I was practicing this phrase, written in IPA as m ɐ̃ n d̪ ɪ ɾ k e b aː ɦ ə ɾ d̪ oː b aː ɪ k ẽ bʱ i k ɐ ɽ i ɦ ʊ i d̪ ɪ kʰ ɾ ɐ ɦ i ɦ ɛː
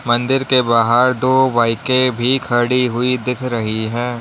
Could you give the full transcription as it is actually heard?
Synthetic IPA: m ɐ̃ n d̪ ɪ ɾ k e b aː ɦ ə ɾ d̪ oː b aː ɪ k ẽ bʱ i kʰ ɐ ɽ i ɦ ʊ i d̪ ɪ kʰ ɾ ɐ ɦ i ɦ ɛː